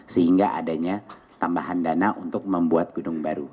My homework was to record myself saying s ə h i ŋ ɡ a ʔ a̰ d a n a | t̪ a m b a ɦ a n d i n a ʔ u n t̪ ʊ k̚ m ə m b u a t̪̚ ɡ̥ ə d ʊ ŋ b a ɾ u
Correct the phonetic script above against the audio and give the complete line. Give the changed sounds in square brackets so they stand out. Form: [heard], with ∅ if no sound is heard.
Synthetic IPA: s ə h i ŋ ɡ a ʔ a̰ d a [ɲ] a | t̪ a m b a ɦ a n d [a] n a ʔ u n t̪ ʊ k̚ m ə m b u a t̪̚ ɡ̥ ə d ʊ ŋ b a ɾ u

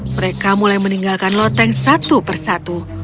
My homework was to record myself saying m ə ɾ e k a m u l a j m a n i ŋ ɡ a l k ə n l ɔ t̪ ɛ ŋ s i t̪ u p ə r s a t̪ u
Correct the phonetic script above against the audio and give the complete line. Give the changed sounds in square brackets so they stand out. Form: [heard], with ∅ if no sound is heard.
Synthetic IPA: m ə ɾ e k a m u l a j m [ə] n i ŋ ɡ a l k [a] n l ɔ t̪ ɛ ŋ s [a] t̪ u p ə r s a t̪ u

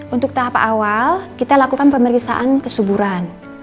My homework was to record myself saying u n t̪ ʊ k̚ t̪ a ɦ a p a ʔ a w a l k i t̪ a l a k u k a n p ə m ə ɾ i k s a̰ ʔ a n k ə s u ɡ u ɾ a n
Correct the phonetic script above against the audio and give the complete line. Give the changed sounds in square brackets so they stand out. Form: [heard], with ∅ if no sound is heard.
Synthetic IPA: u n t̪ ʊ k̚ t̪ a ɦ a p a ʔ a w a l k i t̪ a l a k u k a n p ə m ə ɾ i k s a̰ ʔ a n k ə s u [b] u ɾ a n

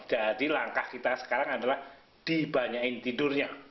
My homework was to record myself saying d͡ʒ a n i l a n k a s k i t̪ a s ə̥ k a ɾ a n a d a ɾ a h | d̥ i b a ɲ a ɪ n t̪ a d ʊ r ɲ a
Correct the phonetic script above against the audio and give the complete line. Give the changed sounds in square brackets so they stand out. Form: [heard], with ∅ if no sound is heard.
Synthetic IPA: d͡ʒ a [d] i l a [ŋ] k a [h] k i t̪ a s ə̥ k a ɾ a [ŋ] a d a [l] a h | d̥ i b a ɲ a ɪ n t̪ [i] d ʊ r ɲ a

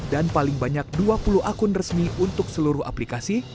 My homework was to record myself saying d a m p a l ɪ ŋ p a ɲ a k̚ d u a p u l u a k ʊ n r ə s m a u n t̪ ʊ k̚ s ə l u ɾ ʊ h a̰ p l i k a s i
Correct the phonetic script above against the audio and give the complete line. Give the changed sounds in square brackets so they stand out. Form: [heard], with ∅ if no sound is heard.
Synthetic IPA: d a [n] p a l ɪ ŋ [b] a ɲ a k̚ d u a p u l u a k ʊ n r ə s m [i] u n t̪ ʊ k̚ s ə l u ɾ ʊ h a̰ p l i k a s i

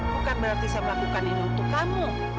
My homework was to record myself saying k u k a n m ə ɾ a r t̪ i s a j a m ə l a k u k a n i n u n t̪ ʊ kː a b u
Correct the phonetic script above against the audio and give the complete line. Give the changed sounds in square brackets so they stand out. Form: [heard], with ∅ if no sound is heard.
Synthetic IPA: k u k a n [b] ə ɾ a r t̪ i s a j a m ə l a k u k a n i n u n t̪ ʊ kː a [m] u

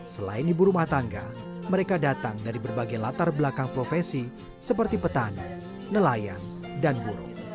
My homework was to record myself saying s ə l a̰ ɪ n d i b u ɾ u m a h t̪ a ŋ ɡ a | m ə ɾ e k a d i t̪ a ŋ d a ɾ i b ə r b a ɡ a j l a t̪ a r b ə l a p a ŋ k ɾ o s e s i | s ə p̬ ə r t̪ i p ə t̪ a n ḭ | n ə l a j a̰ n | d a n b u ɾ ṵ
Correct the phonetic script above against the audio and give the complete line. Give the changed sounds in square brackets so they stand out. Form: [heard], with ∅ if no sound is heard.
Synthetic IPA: s ə l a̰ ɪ n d i b u ɾ u m a h t̪ a ŋ ɡ a | m ə ɾ e k a d [a] t̪ a ŋ d a ɾ i b ə r b a ɡ a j l a t̪ a r b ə l a [k] a ŋ [p] ɾ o [f] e s i | s ə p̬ ə r t̪ i p ə t̪ a n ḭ | n ə l a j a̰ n | d a n b u ɾ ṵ

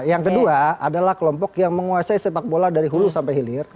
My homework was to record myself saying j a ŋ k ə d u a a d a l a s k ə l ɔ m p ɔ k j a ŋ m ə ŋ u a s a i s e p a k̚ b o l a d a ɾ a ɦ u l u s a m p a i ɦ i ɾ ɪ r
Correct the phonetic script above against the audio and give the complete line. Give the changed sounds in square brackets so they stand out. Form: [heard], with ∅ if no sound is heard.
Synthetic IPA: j a ŋ k ə d u a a d a l a [h] k ə l ɔ m p ɔ k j a ŋ m ə ŋ u a s a i s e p a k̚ b o l a d a ɾ [i] ɦ u l u s a m p a [j] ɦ i [l] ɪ r

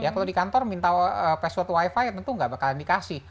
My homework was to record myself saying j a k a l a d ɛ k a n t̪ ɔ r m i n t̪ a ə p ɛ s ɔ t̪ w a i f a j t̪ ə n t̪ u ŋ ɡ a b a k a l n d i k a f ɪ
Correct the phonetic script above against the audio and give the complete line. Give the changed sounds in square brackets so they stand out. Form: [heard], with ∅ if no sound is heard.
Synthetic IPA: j a k a l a d [i] k a n t̪ ɔ r m i n t̪ a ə p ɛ s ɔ t̪ w a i f a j t̪ ə n t̪ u ŋ ɡ a b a k a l n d i k a [s] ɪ

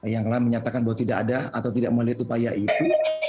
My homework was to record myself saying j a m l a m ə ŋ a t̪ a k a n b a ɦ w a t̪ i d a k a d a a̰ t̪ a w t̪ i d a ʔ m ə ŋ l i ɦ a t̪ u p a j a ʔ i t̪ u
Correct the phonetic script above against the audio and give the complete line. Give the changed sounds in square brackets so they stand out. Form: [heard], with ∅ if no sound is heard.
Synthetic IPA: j a [ŋ] l a m ə [ɲ] a t̪ a k a n b a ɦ w a t̪ i d a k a d a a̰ t̪ a w t̪ i d a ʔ m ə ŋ l i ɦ a t̪ u p a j a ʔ i t̪ u

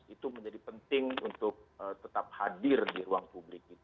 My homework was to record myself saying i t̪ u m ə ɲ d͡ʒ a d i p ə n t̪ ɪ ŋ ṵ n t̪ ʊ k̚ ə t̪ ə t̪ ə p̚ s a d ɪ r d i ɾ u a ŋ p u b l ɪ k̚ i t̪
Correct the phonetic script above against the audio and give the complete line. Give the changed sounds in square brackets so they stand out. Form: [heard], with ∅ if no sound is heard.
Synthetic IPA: i t̪ u m ə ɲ d͡ʒ a d i p ə n t̪ ɪ ŋ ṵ n t̪ ʊ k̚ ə t̪ ə t̪ [a] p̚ [h] a d ɪ r d i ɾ u a ŋ p u b l ɪ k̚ i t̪

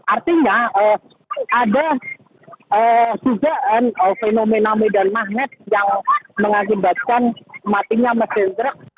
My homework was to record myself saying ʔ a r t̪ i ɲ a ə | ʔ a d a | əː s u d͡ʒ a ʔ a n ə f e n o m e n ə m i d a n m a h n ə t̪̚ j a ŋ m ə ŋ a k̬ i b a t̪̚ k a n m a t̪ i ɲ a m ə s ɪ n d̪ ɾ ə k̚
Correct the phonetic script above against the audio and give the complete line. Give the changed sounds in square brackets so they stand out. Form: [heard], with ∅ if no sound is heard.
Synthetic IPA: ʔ a r t̪ i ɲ a ə | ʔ a d a | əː s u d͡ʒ a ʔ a n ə f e n o m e n [a] m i d a n m a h n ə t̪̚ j a ŋ m ə ŋ a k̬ i b a t̪̚ k a n m a t̪ i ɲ a m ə s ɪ n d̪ ɾ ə k̚

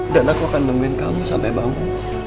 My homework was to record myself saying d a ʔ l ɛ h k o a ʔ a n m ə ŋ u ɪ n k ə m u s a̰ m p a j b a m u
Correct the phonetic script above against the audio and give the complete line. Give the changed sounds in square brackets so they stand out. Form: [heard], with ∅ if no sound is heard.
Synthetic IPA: d a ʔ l [a] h k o a [k] a n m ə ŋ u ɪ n k [a] m u s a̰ m p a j b a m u

